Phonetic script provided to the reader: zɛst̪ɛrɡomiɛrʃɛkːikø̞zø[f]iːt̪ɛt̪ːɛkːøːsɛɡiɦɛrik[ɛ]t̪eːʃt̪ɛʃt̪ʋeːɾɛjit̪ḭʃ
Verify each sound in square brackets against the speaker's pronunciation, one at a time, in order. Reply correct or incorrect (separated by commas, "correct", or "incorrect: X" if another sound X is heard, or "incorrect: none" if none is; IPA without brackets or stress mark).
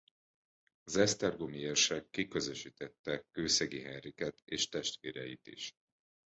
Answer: incorrect: ʃ, correct